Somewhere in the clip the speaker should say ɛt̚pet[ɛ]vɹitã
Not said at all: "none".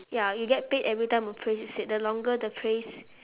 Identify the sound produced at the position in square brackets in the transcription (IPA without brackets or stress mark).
ɛ